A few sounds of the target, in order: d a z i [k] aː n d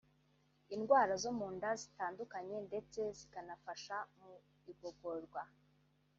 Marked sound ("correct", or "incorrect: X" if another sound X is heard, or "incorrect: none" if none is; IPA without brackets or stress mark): incorrect: t